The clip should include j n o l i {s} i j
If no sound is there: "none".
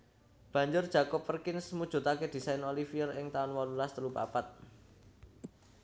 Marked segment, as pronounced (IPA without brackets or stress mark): f